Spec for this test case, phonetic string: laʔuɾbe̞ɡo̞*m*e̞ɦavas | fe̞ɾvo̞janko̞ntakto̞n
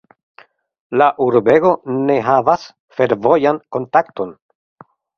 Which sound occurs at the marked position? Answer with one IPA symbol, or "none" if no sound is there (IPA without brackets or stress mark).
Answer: n